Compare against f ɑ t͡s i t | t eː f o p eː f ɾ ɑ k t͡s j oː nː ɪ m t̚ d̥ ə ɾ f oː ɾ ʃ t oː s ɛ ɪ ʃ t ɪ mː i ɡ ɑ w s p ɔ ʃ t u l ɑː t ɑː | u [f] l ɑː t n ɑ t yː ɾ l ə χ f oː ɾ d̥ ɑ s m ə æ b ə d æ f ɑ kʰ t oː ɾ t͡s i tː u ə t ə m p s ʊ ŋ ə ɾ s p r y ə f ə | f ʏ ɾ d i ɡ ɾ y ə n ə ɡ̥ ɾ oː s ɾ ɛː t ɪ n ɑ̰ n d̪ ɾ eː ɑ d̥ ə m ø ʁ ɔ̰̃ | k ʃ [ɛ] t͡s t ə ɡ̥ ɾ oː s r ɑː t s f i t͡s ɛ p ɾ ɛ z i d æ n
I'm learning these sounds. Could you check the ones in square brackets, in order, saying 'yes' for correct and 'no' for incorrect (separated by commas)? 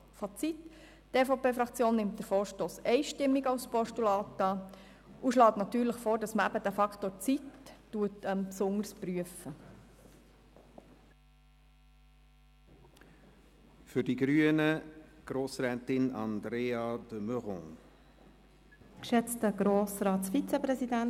no, yes